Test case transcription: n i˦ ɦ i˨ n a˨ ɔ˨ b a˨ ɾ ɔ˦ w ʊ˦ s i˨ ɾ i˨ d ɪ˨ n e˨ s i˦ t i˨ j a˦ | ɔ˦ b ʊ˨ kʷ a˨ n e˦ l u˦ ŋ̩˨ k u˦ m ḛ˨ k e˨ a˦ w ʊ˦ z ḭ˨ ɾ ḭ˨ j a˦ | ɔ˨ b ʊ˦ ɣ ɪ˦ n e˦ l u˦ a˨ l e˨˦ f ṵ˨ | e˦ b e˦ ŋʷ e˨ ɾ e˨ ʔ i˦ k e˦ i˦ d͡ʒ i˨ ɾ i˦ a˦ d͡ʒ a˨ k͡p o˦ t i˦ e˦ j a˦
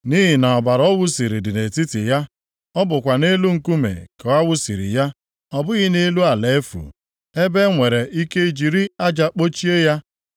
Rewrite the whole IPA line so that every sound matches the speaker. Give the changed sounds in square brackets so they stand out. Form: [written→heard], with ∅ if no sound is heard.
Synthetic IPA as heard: n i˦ ɦ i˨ n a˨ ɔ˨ b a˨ ɾ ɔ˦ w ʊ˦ s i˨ ɾ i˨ d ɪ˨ n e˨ [s→t] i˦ t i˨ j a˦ | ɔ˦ b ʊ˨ kʷ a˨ n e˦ l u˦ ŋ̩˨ k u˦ m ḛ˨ k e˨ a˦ w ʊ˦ [z→s] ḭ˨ ɾ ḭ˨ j a˦ | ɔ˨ b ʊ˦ ɣ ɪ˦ n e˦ l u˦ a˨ l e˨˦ f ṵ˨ | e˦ b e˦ ŋʷ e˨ ɾ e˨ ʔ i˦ k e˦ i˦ d͡ʒ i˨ ɾ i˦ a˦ d͡ʒ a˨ k͡p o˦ [t→t͡ʃ] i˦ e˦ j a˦